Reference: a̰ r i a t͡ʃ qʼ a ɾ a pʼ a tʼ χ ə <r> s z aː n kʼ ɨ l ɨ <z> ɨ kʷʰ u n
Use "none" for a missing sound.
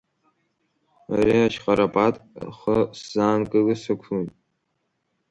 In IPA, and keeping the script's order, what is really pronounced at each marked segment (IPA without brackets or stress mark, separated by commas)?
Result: none, s